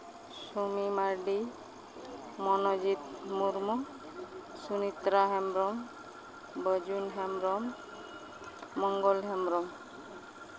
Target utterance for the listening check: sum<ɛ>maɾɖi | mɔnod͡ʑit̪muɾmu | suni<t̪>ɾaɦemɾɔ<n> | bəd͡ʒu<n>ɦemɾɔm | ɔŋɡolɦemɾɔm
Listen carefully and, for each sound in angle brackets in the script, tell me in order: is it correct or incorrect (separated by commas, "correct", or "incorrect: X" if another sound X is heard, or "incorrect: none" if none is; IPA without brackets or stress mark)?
incorrect: i, correct, incorrect: m, correct